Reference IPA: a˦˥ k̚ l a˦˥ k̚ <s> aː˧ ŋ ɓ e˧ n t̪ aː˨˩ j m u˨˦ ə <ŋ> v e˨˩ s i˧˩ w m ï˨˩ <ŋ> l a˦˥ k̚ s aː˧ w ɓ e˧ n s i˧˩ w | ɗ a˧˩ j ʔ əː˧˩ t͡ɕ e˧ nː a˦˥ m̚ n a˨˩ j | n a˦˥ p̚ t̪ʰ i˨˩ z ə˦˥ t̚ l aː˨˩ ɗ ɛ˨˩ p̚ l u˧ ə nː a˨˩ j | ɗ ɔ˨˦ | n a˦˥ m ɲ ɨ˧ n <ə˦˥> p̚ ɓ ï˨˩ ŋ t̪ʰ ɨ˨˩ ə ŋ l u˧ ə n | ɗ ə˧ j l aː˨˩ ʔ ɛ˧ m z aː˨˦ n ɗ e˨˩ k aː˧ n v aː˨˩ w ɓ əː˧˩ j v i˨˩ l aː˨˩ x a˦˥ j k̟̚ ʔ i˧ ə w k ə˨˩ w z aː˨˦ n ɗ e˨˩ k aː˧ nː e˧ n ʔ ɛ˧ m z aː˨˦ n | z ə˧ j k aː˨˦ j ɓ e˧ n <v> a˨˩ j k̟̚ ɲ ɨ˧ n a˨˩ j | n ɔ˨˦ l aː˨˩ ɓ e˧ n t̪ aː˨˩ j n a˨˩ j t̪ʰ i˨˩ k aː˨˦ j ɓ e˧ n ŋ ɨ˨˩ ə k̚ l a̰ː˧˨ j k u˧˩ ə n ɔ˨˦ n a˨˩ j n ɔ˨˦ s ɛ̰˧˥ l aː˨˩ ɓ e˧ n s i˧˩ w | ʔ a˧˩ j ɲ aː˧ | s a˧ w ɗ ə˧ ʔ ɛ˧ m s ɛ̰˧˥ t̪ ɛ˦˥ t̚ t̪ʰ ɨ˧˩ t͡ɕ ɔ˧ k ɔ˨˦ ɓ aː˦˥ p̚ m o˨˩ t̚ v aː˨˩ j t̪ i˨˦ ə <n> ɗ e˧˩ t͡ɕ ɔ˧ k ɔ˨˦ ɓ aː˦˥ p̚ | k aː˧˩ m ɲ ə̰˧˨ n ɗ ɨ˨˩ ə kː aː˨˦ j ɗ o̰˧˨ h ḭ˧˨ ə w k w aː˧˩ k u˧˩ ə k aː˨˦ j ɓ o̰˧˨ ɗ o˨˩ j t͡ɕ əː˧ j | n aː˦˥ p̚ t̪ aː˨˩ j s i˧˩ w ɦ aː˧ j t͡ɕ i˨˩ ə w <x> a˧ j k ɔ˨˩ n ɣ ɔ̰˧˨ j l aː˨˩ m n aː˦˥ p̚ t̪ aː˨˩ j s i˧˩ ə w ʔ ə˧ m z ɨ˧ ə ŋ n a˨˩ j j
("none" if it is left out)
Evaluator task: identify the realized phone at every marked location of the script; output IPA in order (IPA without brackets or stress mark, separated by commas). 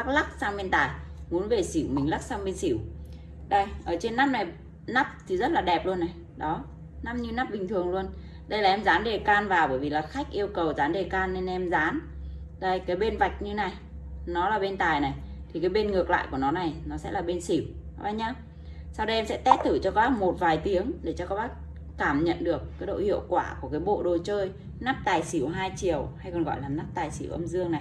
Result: s, n, ŋ, a˦˥, v, ŋ, h